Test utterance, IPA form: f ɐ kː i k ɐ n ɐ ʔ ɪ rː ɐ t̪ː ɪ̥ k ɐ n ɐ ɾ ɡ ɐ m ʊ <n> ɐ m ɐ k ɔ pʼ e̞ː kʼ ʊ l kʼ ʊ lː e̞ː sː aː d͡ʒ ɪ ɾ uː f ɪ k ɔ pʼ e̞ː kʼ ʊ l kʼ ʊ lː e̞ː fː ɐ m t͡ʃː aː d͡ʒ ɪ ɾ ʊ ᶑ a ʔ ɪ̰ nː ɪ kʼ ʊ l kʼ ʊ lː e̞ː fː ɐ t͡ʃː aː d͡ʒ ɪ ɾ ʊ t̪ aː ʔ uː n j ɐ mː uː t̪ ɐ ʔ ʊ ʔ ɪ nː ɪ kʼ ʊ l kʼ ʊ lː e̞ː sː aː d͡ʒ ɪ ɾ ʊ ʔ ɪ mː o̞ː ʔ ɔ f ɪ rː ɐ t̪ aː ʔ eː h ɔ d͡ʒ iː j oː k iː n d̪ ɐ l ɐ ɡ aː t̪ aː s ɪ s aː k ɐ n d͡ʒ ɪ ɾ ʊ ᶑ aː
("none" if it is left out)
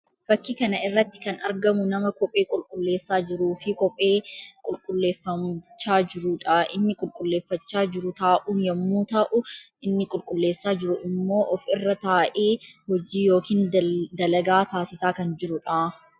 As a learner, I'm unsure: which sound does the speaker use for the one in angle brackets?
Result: n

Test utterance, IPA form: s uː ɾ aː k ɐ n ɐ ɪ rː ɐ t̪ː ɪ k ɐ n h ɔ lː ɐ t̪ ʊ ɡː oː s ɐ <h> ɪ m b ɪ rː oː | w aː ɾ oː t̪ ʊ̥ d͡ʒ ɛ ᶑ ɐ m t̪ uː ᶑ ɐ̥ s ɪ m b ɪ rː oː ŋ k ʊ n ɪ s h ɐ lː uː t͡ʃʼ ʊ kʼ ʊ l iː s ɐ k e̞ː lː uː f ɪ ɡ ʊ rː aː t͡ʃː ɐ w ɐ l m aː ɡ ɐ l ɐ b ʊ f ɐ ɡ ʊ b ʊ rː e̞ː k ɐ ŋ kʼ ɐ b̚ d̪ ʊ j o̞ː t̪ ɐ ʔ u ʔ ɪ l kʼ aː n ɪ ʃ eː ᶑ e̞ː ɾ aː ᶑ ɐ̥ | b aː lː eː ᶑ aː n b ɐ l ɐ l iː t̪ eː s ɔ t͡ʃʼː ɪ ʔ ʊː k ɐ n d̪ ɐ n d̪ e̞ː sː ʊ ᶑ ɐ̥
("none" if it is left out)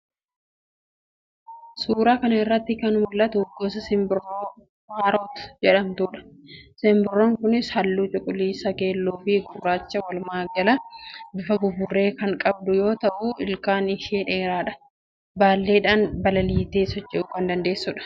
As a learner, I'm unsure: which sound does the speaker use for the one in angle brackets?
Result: s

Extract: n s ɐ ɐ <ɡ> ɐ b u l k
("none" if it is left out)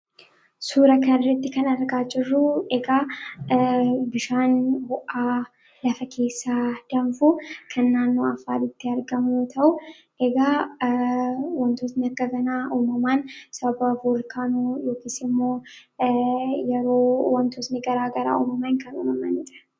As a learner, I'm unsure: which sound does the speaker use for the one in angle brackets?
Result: b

